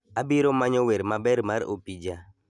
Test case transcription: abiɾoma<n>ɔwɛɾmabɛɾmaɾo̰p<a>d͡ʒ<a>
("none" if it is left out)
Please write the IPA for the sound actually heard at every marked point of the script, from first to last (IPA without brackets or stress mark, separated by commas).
ɲ, i, a